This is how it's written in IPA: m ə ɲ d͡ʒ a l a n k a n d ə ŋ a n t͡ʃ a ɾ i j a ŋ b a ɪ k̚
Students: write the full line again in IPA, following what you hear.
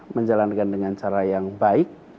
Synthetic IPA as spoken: m ə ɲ d͡ʒ a l a n k a n d ə ŋ a n t͡ʃ a ɾ a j a ŋ b a ɪ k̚